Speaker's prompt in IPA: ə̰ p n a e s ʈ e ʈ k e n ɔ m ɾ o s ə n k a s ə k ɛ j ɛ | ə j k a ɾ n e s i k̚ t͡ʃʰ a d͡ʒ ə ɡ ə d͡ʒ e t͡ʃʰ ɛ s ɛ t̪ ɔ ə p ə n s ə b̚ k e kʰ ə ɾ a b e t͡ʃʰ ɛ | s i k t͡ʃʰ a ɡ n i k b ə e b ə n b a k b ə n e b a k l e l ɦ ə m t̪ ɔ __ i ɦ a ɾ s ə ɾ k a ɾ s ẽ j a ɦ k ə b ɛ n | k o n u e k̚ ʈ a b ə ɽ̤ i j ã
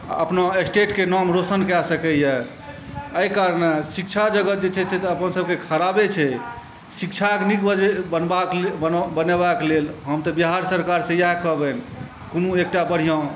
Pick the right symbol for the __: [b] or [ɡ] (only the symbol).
b